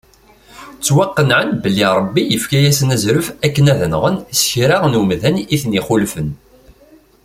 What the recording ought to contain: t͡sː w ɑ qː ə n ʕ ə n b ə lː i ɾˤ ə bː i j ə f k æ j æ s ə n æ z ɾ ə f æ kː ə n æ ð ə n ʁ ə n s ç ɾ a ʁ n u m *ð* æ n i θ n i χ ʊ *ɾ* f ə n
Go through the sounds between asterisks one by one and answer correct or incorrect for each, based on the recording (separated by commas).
correct, incorrect